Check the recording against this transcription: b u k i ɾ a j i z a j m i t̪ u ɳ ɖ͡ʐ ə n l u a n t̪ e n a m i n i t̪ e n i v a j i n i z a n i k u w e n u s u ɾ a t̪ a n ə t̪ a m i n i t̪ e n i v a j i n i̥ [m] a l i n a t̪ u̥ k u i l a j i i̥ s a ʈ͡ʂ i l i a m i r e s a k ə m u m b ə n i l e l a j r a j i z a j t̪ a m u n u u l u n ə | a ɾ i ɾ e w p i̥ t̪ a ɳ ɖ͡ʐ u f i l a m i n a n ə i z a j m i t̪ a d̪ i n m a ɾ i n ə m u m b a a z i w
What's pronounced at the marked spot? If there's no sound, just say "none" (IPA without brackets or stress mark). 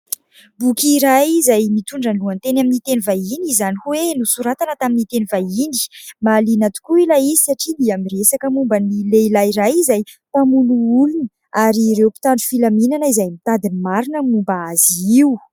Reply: m